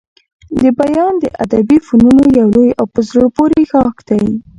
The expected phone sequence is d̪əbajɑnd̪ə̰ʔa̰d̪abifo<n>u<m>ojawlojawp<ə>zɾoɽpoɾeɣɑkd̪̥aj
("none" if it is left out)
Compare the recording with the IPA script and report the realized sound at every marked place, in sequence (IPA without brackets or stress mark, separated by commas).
n, n, ə